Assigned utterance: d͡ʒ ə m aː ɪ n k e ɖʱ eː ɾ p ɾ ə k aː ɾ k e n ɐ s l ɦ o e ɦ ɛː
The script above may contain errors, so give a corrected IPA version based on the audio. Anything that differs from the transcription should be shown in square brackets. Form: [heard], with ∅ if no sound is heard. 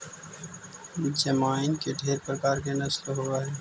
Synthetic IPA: d͡ʒ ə m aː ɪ n k e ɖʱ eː ɾ p ɾ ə k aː ɾ k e n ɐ s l ɦ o [a] ɦ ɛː